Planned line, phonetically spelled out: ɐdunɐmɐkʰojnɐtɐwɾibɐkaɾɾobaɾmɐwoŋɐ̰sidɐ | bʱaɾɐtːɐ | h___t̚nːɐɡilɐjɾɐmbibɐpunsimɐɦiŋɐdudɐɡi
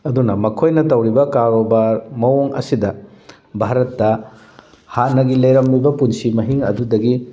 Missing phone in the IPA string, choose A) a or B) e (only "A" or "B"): A